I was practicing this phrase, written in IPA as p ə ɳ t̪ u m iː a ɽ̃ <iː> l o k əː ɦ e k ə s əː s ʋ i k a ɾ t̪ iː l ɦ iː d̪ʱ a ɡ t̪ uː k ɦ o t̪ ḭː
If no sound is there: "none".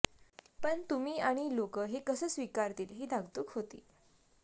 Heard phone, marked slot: i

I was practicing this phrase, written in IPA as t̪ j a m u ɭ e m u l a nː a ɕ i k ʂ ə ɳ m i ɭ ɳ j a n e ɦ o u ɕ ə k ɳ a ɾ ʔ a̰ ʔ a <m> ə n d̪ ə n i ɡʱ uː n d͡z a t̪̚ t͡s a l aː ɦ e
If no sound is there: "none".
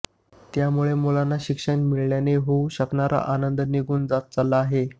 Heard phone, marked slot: n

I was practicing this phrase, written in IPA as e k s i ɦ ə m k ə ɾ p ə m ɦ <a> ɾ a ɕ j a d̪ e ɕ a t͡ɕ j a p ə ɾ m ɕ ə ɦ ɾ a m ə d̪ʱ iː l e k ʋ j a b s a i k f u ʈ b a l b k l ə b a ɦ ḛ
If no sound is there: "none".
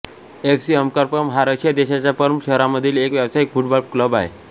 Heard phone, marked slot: a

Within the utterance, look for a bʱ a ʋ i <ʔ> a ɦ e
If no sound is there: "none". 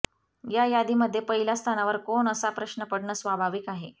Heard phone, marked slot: k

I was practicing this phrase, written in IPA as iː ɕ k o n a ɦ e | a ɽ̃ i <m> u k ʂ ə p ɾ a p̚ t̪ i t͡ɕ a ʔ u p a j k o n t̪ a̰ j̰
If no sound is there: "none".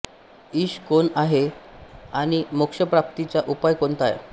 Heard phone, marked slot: m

